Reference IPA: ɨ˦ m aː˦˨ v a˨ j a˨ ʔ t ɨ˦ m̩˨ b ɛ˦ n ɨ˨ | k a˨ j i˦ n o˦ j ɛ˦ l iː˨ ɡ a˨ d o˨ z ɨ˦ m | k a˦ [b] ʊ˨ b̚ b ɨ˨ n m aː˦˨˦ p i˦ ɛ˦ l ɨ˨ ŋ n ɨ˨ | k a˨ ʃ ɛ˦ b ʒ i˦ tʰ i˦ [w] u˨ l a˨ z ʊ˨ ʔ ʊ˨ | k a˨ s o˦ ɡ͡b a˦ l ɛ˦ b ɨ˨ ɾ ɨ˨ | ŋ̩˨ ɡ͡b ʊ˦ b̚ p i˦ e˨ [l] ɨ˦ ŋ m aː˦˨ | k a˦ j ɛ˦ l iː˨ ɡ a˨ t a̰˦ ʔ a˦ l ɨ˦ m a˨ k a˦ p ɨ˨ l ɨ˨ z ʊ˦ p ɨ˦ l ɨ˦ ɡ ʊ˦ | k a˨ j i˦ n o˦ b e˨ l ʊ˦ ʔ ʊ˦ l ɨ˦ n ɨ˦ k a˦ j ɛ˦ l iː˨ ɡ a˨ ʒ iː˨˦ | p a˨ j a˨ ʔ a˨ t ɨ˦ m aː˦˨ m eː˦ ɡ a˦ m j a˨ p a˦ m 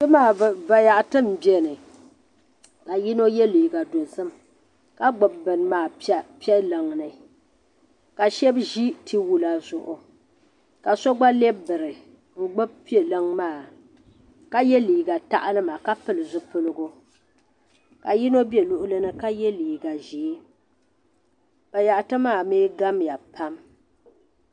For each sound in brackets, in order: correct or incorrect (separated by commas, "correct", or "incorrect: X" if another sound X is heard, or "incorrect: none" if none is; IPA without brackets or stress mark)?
incorrect: ɡ͡b, correct, correct